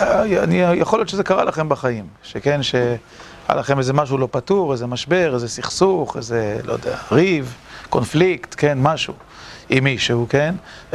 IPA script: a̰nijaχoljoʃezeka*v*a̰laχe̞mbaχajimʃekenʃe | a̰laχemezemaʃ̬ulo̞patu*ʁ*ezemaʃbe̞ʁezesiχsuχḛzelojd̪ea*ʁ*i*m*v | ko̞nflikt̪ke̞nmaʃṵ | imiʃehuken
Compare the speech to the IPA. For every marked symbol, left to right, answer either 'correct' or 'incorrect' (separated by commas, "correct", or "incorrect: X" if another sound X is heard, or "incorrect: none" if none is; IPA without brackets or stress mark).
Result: incorrect: ʁ, correct, correct, incorrect: none